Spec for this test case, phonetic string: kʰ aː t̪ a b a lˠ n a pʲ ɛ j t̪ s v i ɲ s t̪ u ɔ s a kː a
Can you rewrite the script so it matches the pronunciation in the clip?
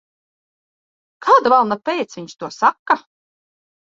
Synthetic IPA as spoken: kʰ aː d̪ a v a lˠ n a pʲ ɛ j t̪ s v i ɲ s t̪ u ɔ s a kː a